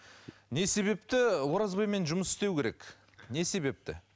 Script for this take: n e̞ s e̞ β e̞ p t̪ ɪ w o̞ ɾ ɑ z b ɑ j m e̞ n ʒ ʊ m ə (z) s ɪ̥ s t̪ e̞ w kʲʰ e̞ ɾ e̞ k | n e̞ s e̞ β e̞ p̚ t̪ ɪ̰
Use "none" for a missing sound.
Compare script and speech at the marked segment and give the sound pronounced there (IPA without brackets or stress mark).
none